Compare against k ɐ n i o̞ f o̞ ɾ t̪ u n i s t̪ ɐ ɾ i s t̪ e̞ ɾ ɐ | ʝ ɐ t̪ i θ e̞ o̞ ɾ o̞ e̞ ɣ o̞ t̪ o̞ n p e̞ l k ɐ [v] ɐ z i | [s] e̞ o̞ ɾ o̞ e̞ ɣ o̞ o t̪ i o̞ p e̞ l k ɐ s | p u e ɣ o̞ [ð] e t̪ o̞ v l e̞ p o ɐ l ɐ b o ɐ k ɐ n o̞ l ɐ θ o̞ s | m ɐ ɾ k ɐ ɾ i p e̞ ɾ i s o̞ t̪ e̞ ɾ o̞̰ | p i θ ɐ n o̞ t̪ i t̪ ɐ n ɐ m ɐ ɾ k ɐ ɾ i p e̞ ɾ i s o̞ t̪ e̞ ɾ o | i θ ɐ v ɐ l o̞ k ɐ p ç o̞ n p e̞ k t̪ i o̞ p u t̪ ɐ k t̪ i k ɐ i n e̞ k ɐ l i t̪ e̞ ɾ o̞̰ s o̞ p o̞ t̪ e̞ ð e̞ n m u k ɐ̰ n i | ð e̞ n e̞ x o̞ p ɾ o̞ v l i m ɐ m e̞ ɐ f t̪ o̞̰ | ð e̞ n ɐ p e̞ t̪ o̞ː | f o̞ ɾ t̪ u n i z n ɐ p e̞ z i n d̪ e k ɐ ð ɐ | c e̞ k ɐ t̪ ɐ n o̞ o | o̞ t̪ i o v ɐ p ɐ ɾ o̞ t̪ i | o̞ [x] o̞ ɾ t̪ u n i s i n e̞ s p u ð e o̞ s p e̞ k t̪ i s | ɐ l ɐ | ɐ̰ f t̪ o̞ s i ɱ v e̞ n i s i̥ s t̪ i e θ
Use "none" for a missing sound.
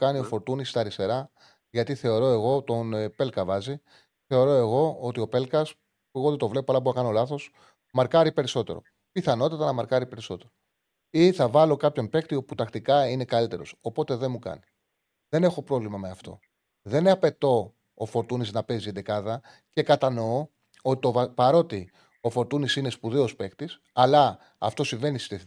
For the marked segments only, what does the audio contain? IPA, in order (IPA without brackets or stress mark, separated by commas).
v, θ, ð, f